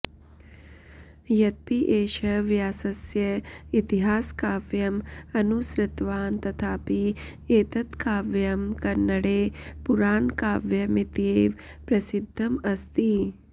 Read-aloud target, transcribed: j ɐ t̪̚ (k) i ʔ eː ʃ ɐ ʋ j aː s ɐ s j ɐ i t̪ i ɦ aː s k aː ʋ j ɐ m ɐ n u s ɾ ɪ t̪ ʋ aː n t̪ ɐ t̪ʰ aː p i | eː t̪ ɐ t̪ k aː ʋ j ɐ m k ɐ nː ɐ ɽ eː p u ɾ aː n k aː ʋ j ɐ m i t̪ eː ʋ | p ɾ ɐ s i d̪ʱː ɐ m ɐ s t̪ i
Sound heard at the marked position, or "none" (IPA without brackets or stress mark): p